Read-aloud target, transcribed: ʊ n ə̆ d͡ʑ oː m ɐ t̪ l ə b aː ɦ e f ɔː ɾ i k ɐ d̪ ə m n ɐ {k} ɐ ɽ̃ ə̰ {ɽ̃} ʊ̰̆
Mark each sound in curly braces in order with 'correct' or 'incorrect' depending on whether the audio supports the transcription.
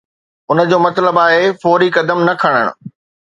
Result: incorrect, correct

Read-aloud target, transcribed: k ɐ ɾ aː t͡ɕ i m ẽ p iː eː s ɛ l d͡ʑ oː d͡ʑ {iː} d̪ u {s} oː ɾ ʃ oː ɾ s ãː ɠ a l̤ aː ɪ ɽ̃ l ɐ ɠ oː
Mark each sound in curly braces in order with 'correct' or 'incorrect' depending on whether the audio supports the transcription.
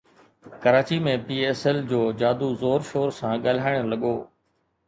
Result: incorrect, incorrect

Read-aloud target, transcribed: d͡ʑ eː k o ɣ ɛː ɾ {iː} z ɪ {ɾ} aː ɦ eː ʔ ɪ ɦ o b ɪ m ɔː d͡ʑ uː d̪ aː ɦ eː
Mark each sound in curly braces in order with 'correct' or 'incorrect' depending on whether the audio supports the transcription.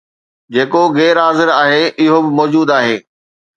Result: incorrect, correct

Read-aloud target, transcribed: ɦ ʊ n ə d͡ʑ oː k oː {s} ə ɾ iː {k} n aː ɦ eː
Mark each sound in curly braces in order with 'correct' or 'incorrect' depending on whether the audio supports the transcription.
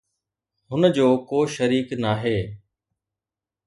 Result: incorrect, correct

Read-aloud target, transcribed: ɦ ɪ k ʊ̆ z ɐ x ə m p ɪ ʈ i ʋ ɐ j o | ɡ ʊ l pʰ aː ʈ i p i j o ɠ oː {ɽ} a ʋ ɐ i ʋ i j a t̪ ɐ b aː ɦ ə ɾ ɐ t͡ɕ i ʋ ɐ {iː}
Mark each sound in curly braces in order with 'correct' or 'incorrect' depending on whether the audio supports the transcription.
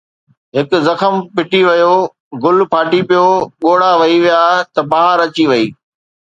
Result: correct, correct

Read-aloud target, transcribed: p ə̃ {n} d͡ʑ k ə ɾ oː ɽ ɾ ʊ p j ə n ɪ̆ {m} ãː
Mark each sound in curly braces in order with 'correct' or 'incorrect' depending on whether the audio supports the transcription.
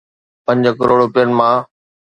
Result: incorrect, correct

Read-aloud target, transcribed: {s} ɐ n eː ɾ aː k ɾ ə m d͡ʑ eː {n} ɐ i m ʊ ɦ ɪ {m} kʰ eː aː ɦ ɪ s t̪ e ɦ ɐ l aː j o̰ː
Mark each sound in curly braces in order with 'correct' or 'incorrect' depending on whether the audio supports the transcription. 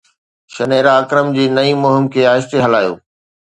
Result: incorrect, correct, correct

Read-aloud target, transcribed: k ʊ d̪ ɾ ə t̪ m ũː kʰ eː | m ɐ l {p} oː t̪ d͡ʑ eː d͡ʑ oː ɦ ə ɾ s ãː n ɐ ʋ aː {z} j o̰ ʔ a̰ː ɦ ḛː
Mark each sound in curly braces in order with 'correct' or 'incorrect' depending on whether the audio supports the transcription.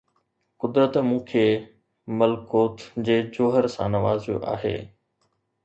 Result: incorrect, correct

